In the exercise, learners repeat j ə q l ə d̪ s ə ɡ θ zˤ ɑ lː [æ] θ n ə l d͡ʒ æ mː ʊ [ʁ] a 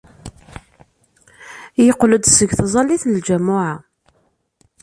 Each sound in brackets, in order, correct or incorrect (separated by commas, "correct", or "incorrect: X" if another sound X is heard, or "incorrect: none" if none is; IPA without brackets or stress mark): incorrect: i, incorrect: ʕ